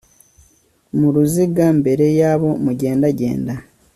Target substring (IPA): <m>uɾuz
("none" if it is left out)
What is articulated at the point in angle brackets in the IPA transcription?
m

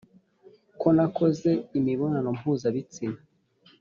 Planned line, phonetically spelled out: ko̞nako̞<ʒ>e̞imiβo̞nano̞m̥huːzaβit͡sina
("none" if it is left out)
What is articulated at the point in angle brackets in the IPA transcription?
z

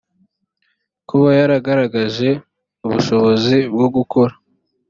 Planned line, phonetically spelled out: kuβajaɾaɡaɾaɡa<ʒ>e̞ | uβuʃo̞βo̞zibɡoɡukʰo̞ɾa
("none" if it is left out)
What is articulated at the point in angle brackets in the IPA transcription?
ʒ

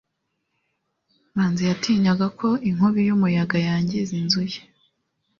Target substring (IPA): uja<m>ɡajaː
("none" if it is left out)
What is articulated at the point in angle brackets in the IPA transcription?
none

